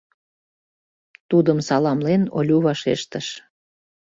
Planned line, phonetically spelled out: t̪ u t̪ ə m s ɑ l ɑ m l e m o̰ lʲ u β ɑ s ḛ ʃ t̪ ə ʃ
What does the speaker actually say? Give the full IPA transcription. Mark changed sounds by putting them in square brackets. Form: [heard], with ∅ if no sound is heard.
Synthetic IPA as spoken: t̪ u [d̪] ə m s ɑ l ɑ m l e [n] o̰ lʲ u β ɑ [ʃ] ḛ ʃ t̪ ə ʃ